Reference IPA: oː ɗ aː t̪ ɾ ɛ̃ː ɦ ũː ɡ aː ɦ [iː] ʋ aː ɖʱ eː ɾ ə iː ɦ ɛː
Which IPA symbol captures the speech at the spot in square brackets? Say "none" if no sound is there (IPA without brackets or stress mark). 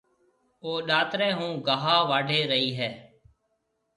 aː